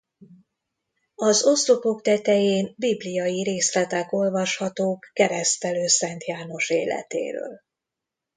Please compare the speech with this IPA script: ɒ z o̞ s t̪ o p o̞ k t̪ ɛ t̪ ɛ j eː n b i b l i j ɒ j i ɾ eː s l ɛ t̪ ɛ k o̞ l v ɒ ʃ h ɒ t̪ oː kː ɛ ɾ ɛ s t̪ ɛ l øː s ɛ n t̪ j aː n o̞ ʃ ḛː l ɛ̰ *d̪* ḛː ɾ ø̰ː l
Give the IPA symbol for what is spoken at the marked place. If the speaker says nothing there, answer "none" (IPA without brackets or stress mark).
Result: t̪